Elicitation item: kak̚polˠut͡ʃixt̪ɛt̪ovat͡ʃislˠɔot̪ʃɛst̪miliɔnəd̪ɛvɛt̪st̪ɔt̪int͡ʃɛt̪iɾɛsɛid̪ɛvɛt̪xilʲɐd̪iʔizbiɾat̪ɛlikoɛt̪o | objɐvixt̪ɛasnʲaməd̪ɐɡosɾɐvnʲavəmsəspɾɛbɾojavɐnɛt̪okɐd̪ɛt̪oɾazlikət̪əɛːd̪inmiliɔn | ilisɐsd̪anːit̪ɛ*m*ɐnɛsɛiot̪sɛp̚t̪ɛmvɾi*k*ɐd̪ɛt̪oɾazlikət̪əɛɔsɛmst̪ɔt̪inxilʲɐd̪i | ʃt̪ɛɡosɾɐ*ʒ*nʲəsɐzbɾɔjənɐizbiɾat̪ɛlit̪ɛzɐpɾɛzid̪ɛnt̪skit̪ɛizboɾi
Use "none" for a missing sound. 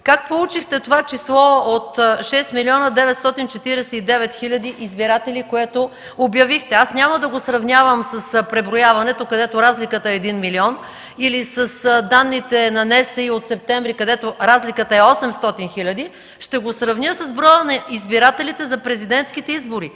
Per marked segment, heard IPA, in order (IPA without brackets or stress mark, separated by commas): n, k, v